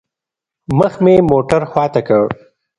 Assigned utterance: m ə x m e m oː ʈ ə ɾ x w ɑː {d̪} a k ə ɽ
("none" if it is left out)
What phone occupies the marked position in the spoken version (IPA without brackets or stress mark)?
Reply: t̪